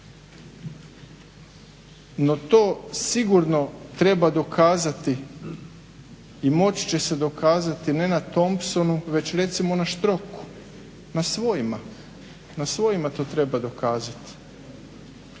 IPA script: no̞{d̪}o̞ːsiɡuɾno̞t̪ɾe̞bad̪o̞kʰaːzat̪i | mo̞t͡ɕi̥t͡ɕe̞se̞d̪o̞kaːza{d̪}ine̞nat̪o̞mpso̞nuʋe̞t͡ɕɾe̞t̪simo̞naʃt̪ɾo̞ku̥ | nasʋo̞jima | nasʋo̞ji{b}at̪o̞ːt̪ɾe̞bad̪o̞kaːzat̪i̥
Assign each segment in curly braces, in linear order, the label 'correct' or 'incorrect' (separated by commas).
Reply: incorrect, incorrect, incorrect